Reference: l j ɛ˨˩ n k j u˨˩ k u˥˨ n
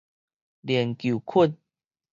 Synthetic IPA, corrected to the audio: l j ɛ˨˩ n k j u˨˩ kʰ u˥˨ n